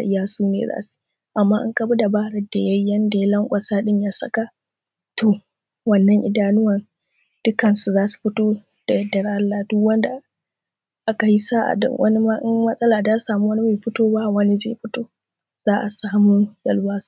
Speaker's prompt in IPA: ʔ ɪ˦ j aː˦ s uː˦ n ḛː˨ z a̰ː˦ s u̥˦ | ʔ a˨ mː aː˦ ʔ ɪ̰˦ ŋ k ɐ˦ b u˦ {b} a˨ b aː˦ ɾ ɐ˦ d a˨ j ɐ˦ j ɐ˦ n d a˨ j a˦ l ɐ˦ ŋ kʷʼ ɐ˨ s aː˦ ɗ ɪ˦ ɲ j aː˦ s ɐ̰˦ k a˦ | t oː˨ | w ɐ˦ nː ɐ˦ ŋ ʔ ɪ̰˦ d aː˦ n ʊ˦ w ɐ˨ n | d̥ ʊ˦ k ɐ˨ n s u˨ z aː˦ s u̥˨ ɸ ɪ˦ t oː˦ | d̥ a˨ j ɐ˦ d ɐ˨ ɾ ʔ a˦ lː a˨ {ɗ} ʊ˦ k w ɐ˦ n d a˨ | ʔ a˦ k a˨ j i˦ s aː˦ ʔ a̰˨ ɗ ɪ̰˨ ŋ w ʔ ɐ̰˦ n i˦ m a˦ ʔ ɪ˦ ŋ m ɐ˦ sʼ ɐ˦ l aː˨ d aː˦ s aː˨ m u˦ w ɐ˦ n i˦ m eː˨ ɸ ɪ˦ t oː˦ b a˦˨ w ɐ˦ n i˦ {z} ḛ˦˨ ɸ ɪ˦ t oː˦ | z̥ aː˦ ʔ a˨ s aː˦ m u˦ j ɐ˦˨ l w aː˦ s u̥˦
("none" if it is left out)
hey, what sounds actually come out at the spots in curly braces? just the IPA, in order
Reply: d, d, z

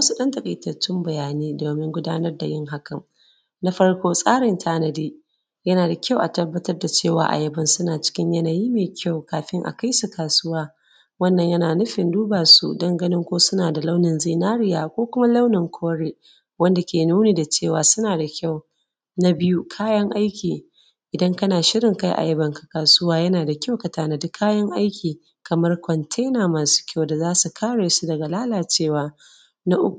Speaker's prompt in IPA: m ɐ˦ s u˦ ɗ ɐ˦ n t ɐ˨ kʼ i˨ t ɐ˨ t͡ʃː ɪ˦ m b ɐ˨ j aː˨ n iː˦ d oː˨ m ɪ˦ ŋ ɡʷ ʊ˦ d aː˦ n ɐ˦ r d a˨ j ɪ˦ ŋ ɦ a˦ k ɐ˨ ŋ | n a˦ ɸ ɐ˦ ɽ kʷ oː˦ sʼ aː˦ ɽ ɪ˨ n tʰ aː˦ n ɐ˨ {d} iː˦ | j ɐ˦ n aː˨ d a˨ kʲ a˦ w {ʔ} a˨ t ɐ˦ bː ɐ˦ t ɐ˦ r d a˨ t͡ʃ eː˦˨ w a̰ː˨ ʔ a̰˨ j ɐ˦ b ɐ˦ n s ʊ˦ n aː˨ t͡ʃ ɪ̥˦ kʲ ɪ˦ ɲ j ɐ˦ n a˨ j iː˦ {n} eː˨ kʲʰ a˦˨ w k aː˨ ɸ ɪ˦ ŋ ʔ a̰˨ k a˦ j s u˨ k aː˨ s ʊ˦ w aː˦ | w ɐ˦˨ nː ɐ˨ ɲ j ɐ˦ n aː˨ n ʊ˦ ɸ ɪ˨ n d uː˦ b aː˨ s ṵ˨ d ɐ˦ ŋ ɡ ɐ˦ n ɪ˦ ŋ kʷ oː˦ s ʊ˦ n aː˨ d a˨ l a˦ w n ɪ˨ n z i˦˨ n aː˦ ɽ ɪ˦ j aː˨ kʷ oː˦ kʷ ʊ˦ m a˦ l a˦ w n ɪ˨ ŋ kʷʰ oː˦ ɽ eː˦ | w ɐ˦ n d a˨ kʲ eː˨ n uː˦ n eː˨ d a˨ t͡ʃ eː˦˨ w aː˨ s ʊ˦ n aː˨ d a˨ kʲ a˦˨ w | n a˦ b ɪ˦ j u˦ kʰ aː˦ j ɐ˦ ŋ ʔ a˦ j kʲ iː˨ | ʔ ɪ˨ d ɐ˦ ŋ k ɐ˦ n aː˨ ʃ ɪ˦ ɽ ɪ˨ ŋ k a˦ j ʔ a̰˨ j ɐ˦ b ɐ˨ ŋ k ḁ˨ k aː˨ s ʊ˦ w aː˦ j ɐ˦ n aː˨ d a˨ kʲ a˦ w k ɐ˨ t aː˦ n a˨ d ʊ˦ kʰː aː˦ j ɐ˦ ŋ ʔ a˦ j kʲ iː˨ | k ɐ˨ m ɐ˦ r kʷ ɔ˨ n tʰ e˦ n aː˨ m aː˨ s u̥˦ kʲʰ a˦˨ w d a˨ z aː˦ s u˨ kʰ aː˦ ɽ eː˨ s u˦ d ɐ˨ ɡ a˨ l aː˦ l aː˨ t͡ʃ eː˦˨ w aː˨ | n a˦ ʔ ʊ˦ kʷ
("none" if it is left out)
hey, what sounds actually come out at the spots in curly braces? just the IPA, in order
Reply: d, ʔ, m

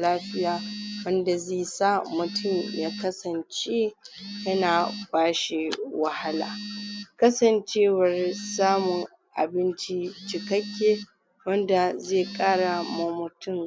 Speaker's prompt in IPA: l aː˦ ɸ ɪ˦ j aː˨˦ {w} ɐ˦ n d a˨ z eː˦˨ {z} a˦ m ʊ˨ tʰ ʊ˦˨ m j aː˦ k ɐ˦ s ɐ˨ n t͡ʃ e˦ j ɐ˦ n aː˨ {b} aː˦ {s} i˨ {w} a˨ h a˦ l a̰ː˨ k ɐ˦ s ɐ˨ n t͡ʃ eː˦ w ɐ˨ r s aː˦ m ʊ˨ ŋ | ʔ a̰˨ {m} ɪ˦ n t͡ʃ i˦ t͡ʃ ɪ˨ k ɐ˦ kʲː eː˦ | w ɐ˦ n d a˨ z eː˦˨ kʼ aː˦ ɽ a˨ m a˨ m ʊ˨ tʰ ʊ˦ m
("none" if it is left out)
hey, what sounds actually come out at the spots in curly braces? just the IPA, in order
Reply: w, s, b, ʃ, w, b

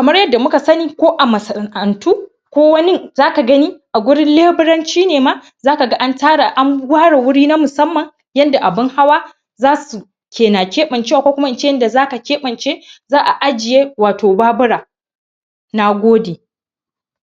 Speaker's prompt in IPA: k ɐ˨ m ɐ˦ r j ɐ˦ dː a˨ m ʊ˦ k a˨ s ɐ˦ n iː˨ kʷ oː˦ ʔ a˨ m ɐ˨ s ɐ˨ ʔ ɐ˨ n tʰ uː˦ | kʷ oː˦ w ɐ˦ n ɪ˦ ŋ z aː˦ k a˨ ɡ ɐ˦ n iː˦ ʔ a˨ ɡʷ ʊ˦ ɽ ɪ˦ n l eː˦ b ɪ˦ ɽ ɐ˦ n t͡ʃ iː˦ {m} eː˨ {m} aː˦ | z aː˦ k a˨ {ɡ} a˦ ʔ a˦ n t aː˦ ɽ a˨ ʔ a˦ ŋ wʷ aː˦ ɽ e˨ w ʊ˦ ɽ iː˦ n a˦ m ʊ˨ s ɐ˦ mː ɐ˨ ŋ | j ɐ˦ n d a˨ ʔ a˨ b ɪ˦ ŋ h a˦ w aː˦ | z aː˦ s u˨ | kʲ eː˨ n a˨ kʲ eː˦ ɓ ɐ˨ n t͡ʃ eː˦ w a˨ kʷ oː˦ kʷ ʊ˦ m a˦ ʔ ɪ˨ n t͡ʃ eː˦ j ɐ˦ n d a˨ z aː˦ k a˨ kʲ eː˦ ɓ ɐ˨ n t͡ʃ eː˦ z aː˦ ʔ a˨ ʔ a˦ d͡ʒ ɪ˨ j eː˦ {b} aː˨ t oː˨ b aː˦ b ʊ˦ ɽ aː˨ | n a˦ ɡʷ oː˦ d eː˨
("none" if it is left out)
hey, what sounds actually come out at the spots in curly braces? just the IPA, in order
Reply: n, m, ɡ, w

